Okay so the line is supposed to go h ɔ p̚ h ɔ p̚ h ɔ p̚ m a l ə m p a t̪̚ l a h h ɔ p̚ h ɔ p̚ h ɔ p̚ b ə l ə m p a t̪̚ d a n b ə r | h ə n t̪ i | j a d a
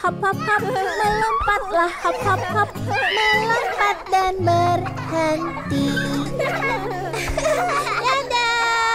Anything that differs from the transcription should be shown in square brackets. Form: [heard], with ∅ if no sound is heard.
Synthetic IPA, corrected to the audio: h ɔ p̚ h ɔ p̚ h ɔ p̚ m [ə] l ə m p a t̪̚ l a h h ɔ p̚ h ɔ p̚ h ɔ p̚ [m] ə l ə m p a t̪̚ d a n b ə r | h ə n t̪ i | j a d a